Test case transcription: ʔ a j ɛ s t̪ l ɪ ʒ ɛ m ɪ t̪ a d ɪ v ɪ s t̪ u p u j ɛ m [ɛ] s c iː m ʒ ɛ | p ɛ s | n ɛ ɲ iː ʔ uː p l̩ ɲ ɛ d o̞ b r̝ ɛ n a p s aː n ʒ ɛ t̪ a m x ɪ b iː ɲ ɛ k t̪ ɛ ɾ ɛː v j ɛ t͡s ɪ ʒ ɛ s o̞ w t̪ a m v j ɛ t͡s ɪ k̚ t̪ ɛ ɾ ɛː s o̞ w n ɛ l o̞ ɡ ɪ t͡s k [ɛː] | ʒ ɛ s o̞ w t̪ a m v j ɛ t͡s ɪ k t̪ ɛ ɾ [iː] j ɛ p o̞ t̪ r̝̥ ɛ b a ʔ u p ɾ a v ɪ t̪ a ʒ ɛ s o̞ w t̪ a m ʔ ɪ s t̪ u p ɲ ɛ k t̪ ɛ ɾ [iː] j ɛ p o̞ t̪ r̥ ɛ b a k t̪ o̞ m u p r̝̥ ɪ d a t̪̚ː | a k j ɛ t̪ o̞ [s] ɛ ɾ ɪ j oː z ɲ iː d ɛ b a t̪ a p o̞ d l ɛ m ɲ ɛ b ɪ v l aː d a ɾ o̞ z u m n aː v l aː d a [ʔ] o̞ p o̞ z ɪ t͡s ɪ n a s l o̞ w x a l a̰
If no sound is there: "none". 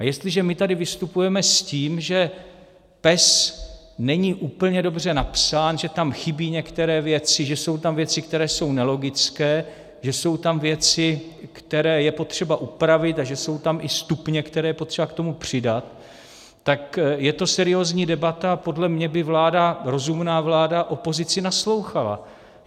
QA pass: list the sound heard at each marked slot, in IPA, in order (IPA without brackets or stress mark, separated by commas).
ɛ, ɛː, ɛː, ɛː, s, ʔ